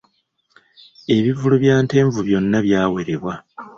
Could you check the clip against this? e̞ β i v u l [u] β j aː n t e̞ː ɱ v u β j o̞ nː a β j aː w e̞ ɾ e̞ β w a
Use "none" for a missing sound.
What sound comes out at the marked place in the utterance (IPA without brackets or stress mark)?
u